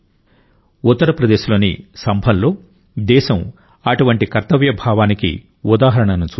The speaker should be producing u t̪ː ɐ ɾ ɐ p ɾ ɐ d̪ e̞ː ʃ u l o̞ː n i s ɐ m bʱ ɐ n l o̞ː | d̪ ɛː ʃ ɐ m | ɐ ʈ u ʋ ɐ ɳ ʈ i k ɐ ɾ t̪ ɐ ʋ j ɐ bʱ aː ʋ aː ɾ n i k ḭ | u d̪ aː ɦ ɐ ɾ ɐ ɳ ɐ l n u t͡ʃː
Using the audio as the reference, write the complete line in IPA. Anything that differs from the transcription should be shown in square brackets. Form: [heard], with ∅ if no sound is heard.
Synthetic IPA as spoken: u t̪ː ɐ ɾ ɐ p ɾ ɐ d̪ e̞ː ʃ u l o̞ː n i s ɐ m bʱ ɐ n l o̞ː | d̪ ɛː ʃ ɐ m | ɐ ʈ u ʋ ɐ ɳ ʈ i k ɐ ɾ t̪ ɐ ʋ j ɐ bʱ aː ʋ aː [∅] n i k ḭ | u d̪ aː ɦ ɐ ɾ ɐ ɳ ɐ [∅] n u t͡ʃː